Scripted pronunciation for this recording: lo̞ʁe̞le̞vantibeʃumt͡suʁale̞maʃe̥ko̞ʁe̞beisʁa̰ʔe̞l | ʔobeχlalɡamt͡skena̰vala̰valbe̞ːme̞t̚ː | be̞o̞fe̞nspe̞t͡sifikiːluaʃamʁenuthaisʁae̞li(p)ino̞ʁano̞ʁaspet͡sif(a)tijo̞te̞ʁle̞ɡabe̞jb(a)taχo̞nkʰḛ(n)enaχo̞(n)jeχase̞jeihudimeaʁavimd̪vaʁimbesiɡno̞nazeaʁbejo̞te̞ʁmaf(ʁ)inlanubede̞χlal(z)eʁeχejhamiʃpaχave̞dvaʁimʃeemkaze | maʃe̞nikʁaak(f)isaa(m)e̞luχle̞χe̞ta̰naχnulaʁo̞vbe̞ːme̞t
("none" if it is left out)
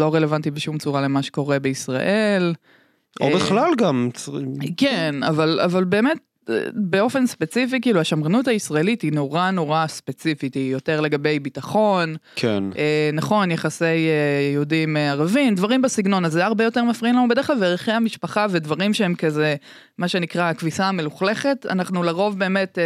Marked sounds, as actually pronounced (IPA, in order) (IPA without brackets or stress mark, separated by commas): t, i, i, n, n, ʁ, v, v, m